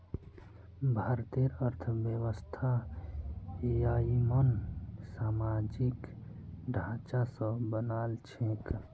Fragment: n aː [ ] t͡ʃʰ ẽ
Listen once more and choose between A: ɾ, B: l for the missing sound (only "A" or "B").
B